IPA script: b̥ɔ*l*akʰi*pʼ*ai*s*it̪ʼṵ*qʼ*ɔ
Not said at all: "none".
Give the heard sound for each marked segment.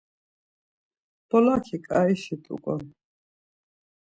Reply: l, kʼ, ʃ, kʼ

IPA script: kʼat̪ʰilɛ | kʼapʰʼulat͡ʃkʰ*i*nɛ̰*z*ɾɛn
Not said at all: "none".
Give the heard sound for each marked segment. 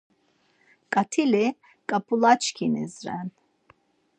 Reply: i, z

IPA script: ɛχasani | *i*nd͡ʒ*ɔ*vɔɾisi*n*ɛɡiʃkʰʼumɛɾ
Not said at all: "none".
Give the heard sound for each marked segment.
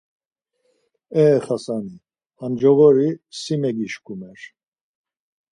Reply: a, ɔ, m

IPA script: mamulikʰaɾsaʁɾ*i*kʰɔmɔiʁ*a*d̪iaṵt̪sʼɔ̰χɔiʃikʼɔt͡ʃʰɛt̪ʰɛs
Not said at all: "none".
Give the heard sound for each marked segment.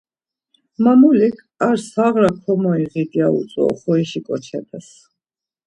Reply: a, i

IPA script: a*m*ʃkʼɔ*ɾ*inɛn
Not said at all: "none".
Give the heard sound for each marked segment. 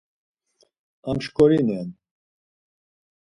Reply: m, ɾ

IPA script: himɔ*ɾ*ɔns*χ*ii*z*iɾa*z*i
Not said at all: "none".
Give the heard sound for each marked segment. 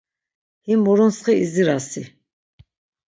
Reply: ɾ, χ, z, s

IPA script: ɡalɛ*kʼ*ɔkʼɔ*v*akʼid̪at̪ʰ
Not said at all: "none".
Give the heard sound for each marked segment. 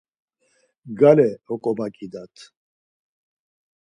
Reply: none, b

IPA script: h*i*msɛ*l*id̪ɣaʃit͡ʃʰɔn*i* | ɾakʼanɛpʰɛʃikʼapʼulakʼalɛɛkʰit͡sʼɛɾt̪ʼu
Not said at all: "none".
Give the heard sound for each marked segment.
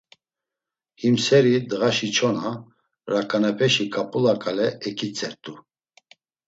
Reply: i, ɾ, a

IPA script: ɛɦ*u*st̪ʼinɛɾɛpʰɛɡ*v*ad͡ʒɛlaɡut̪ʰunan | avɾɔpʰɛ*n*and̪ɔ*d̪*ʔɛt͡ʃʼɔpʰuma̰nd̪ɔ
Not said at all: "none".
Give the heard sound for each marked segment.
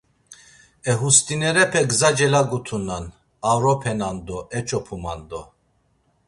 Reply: u, z, n, none

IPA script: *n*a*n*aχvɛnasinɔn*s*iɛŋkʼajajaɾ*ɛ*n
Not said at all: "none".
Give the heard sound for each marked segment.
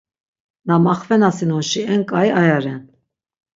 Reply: n, m, ʃ, ɛ

